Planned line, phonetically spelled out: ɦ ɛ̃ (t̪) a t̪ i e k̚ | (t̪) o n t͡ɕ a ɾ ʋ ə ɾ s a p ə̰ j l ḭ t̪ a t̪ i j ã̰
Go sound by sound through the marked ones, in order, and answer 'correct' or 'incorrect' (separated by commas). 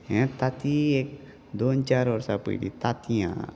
correct, incorrect